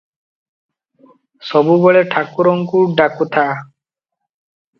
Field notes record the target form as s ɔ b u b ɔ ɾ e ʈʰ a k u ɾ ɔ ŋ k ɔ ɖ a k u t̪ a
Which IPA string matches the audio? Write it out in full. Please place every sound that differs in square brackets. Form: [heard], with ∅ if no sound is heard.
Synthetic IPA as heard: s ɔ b u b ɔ [ɭ] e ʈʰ a k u ɾ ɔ ŋ k [u] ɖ a k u [t̪ʰ] a